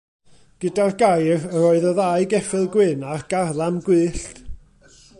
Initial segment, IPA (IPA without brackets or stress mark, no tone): ɡ̥